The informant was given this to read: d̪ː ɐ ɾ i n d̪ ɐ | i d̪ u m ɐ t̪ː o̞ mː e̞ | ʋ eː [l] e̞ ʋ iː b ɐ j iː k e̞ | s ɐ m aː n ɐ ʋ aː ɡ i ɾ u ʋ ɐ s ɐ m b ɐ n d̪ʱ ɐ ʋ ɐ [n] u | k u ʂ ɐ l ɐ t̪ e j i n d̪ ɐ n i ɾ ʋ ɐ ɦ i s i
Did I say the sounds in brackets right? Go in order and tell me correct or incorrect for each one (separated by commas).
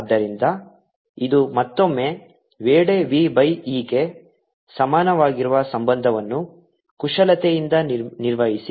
incorrect, incorrect